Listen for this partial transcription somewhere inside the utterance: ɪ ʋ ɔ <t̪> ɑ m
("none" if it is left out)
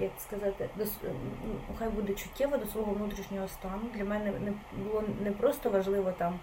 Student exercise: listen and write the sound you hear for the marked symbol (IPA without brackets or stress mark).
t̪